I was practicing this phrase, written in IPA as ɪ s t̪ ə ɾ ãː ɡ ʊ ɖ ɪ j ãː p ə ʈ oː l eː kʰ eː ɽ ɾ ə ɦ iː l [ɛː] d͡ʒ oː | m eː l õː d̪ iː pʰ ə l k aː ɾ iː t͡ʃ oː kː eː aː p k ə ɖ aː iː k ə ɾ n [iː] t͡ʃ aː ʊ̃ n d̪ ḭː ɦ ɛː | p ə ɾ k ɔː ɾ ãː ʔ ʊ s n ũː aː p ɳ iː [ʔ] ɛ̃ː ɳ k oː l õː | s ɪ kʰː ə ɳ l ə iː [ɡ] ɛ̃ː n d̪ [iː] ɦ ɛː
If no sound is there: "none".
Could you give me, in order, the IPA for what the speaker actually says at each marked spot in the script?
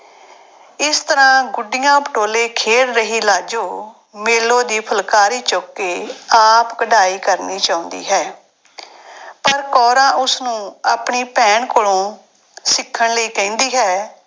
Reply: aː, iː, p, k, iː

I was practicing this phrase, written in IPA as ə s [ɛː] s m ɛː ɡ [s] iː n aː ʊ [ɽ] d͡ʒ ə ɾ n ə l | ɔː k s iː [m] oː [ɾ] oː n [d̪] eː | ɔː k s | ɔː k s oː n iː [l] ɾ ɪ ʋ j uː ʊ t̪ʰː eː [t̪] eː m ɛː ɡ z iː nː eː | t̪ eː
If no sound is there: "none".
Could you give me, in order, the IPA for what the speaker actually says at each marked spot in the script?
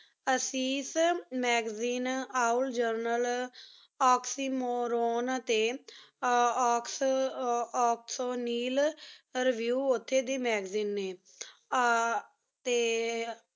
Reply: iː, z, l, m, ɾ, t̪, l, d̪

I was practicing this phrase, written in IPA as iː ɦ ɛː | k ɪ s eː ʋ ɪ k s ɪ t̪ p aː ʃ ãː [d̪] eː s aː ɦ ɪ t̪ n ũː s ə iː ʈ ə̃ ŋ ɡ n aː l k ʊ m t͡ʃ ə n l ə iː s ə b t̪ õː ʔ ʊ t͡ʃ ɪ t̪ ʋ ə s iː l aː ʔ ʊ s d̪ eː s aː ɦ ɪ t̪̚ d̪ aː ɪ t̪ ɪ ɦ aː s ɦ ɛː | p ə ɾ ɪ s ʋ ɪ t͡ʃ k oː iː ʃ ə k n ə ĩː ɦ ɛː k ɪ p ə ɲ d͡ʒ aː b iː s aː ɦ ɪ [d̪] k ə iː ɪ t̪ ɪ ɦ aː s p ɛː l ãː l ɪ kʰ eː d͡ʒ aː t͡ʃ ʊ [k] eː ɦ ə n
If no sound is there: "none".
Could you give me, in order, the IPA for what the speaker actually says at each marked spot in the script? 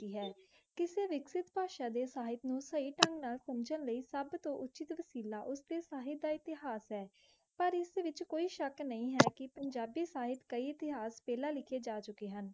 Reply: d̪, t̪, k

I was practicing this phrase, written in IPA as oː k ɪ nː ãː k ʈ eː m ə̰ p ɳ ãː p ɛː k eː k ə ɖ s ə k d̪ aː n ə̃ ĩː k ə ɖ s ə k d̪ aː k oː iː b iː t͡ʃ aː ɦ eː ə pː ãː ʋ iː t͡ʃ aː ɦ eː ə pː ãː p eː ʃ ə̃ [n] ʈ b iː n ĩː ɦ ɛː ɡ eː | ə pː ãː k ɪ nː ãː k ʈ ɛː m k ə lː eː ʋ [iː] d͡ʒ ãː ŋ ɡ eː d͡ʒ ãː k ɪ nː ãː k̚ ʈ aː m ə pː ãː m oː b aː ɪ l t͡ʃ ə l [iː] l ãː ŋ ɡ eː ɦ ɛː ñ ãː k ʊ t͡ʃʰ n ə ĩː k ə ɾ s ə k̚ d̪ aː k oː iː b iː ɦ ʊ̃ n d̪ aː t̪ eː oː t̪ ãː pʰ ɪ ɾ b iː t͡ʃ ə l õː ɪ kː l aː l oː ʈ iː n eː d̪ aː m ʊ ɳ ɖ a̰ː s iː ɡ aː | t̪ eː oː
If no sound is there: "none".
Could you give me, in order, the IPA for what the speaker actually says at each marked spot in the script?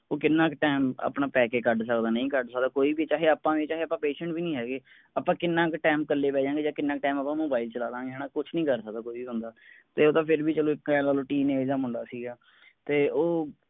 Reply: ɳ, ɛː, aː

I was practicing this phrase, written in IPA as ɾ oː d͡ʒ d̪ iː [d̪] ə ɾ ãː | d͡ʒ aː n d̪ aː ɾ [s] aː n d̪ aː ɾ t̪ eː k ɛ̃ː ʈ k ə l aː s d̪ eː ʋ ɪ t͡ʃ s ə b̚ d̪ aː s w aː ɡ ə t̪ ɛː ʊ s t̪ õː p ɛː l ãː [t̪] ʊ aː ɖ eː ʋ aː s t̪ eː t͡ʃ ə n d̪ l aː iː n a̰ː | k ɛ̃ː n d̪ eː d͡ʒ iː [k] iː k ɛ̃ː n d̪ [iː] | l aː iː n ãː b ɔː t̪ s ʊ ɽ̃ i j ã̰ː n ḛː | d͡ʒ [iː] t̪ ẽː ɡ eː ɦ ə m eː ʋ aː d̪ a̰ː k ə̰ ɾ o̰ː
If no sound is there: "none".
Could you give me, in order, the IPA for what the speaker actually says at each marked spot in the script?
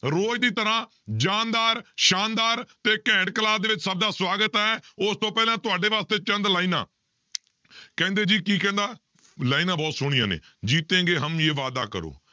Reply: t̪, ʃ, t̪, k, aː, iː

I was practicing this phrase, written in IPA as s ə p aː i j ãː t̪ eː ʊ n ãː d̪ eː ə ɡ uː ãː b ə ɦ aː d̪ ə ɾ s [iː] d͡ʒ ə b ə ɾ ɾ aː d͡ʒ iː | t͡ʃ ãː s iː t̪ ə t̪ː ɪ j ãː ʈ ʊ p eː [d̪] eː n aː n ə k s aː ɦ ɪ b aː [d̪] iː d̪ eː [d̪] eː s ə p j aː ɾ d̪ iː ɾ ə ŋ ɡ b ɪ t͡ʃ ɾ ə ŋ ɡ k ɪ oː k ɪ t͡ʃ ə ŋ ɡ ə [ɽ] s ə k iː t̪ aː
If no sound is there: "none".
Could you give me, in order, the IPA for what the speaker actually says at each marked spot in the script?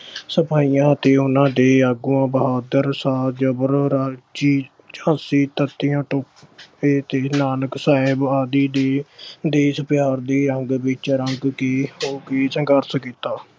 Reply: aː, t̪, d̪, d̪, ɾ

